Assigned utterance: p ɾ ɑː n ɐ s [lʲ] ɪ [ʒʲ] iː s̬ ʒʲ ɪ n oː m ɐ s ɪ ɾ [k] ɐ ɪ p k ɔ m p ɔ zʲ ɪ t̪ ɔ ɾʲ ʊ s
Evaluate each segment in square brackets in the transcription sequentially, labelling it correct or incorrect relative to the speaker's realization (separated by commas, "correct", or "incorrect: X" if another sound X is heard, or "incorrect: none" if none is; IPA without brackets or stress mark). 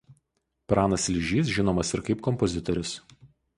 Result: correct, correct, correct